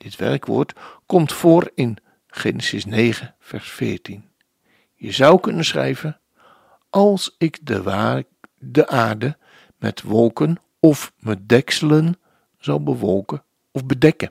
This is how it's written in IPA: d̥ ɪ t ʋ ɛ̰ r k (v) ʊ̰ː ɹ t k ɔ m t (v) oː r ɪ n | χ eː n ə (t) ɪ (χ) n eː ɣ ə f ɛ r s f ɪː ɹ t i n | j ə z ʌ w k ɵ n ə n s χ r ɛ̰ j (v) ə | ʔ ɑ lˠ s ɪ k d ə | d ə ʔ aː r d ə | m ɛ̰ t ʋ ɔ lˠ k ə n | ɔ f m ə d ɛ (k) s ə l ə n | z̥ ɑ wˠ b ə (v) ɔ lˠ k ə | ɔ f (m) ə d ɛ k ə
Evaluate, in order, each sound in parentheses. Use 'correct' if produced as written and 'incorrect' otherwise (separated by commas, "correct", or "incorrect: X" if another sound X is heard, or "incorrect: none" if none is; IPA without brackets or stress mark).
incorrect: ʋ, incorrect: f, incorrect: s, incorrect: s, correct, correct, incorrect: ʋ, incorrect: b